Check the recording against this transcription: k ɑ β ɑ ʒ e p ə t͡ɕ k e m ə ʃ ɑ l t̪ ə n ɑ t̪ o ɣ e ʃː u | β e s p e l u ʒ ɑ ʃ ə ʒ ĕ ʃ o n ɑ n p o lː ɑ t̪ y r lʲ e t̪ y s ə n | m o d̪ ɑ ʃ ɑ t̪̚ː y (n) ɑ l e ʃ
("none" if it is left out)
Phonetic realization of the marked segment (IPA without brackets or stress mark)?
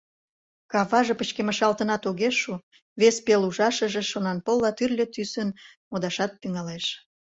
ŋ